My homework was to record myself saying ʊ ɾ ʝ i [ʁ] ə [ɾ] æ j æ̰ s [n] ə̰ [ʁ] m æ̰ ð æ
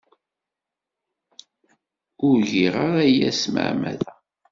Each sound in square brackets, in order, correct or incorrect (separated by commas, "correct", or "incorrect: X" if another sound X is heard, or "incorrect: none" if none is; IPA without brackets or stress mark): correct, correct, incorrect: m, incorrect: ʕ